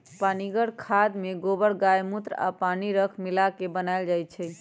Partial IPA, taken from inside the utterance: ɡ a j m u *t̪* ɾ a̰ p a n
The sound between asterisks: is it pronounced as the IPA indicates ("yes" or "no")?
yes